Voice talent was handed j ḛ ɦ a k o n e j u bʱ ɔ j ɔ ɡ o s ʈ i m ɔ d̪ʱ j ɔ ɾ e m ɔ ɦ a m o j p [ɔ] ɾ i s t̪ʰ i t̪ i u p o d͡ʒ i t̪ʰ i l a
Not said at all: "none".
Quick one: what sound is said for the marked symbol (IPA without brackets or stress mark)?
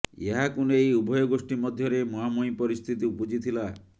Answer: ɔ